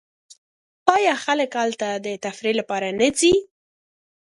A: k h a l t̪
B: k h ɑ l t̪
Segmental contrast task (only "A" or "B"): A